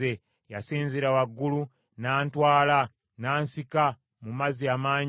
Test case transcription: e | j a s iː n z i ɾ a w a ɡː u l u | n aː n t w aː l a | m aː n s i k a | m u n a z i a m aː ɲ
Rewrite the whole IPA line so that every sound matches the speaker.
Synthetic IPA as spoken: e | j a s iː n z i ɾ a w a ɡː u l u | n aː n t w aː l a | n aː n s i k a | m u m a z i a m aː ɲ